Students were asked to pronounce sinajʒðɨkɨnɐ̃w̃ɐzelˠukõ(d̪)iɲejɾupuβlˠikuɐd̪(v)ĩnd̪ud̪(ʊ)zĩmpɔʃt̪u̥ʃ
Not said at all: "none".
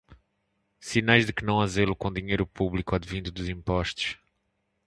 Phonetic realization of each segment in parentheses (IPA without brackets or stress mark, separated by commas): d̪, v, u